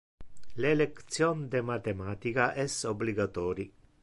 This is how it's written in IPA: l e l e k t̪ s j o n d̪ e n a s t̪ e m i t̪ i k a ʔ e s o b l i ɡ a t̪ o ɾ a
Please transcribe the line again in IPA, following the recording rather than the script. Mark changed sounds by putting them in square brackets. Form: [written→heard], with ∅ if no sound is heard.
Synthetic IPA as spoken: l e l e k t̪ s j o n d̪ e [n→m] a [s→∅] t̪ e m [i→a] t̪ i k a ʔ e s o b l i ɡ a t̪ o ɾ [a→i]